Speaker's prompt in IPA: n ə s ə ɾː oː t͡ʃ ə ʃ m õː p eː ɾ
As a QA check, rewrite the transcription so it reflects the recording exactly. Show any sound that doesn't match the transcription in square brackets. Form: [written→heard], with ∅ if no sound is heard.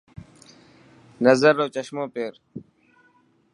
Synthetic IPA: n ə [s→z] ə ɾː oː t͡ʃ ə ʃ m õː p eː ɾ